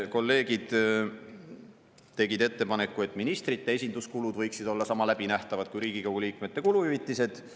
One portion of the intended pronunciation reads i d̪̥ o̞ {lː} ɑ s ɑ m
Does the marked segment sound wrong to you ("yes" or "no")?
no